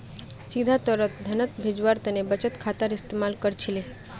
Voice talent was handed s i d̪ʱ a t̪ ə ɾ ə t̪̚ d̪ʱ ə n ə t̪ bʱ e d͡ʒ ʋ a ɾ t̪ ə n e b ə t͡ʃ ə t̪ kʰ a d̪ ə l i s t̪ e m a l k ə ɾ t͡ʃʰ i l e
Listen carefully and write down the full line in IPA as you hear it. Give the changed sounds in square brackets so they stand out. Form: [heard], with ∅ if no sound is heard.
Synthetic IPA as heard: s i d̪ʱ a t̪ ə ɾ ə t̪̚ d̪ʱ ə n ə t̪ bʱ e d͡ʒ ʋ a ɾ t̪ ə n e b ə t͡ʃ ə t̪ kʰ a [t̪] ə [ɾ] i s t̪ e m a l k ə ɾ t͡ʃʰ i l e